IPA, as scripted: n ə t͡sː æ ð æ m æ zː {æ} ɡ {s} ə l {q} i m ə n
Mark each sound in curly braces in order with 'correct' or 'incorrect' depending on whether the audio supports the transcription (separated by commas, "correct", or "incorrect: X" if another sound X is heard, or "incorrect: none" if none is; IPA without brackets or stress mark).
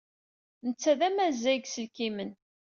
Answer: correct, correct, incorrect: k